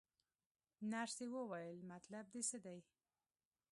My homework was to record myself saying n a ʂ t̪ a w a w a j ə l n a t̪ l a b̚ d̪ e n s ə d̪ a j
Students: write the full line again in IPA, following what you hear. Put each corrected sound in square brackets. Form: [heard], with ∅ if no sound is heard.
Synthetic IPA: n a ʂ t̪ [e] w [ə] w a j ə l [m] a t̪ l a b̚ d̪ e [∅] s ə d̪ a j